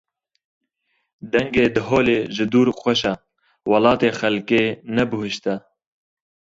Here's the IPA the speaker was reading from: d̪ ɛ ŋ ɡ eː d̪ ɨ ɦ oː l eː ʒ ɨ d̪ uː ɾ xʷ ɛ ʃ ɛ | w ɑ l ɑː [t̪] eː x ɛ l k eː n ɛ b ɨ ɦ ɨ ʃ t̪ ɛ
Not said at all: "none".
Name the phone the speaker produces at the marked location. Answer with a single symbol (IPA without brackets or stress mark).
t̪